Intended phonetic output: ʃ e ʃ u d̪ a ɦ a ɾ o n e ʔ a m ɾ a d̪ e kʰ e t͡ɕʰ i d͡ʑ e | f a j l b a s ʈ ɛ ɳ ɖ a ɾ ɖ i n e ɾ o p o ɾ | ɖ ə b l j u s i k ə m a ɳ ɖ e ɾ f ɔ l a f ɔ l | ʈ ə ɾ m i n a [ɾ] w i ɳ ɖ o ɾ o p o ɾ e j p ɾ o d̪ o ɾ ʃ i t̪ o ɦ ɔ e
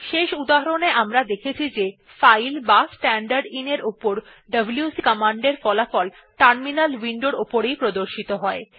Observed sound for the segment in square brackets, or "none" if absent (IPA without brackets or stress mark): l